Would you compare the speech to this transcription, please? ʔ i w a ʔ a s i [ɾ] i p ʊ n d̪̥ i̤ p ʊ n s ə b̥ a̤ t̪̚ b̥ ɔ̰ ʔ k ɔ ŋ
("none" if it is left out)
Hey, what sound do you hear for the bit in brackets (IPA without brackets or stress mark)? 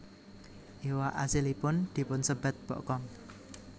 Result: l